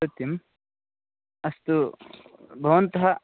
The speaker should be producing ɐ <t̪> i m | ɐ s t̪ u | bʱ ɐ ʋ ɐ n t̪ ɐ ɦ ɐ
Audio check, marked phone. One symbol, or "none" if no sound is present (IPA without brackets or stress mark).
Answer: t̪